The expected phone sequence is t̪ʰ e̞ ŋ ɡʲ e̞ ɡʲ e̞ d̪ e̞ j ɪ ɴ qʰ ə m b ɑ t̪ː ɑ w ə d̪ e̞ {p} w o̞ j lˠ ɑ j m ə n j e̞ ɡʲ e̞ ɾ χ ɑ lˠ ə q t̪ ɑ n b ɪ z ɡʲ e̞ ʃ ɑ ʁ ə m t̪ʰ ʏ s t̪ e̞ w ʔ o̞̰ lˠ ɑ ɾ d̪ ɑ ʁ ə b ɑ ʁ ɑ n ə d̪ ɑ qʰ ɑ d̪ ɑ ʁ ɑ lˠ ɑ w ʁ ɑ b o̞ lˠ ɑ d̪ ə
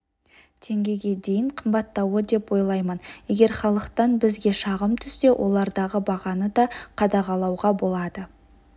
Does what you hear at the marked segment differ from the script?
no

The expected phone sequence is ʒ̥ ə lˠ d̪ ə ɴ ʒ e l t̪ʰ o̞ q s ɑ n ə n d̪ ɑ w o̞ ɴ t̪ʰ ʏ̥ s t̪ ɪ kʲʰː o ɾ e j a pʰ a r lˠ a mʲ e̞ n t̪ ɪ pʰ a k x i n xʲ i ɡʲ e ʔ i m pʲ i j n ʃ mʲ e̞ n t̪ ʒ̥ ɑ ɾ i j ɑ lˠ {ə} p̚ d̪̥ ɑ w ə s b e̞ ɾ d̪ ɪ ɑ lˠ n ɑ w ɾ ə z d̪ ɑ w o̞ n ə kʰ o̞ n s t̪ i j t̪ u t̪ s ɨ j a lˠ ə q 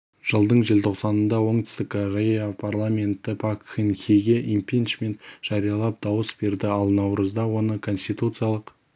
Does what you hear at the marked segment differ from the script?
yes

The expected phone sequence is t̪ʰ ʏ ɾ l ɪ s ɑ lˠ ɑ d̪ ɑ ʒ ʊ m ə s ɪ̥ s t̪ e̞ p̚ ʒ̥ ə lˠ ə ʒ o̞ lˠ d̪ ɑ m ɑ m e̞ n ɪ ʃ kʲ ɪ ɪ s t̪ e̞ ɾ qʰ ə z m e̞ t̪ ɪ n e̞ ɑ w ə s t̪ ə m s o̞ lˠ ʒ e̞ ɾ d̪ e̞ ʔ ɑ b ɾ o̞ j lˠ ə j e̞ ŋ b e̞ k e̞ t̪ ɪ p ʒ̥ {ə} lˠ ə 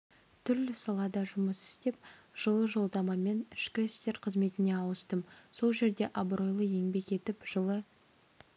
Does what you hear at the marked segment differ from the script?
no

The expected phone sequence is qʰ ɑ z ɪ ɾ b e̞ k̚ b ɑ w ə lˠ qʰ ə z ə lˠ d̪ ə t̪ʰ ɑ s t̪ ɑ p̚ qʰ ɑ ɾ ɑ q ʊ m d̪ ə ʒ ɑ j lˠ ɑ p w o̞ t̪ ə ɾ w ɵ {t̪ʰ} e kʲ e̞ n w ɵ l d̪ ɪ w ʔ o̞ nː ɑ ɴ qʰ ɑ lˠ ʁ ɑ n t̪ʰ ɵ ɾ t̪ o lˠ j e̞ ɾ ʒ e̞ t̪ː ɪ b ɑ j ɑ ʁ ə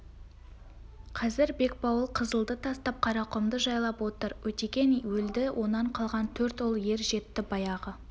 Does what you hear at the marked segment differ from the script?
yes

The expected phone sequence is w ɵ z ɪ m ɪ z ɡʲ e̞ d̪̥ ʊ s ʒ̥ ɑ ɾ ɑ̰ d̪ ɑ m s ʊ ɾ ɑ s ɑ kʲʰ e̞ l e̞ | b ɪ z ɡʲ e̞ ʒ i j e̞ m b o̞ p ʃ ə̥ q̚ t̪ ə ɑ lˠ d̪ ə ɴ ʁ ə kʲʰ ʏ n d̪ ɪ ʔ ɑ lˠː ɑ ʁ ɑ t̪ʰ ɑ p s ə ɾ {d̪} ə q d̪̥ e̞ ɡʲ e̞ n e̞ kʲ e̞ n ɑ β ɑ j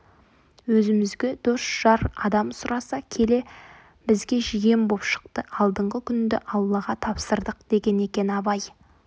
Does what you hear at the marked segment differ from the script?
no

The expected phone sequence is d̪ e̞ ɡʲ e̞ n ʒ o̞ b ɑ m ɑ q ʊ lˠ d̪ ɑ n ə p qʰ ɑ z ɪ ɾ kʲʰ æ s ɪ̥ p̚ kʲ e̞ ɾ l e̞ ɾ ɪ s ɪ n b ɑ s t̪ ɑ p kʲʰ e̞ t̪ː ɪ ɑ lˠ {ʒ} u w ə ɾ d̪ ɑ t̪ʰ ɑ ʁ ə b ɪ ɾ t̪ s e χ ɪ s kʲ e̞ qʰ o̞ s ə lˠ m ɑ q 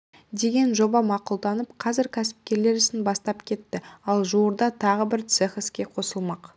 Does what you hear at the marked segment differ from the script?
no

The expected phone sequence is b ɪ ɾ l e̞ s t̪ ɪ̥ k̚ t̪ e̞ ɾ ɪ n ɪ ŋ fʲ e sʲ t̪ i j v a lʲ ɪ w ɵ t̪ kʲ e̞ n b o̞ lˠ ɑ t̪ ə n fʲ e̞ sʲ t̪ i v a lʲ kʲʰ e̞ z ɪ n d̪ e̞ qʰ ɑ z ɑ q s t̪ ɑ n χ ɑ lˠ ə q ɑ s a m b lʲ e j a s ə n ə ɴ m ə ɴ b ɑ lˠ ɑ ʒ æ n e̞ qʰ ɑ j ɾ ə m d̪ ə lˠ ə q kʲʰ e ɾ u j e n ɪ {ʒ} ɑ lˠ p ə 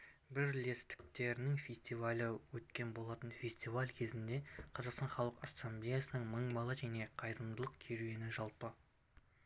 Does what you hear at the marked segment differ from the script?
no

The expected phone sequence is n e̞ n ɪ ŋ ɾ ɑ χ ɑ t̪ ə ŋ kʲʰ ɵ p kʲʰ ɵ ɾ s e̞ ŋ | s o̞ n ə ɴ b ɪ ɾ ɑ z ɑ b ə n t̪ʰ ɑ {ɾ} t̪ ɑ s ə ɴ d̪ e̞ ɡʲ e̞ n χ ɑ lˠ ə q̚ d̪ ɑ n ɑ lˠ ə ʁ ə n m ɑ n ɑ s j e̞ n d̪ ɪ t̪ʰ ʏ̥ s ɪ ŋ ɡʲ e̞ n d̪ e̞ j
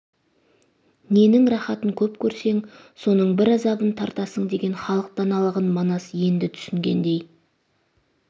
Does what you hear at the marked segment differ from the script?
no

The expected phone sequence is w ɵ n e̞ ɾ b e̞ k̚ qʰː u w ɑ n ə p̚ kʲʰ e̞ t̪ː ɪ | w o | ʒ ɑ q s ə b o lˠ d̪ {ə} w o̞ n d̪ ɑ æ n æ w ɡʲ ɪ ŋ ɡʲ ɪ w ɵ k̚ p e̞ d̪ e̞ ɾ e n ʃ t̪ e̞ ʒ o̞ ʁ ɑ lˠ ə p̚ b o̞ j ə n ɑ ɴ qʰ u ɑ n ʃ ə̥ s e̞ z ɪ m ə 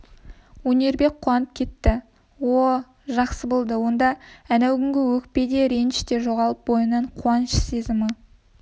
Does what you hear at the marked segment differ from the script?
no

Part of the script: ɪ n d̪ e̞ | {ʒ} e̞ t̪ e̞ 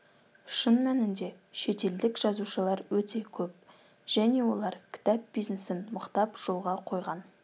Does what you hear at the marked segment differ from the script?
yes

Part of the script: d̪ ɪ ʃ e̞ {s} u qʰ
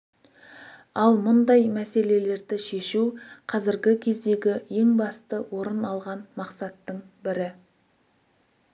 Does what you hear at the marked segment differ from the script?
yes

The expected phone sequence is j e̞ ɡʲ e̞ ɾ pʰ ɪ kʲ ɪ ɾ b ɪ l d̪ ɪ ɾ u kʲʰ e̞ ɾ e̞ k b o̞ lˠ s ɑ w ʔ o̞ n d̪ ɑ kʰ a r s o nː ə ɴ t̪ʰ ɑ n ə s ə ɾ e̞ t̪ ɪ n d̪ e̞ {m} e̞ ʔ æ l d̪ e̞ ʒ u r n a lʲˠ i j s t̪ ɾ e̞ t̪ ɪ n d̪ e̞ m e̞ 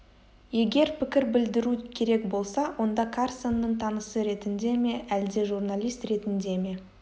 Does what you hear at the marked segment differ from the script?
no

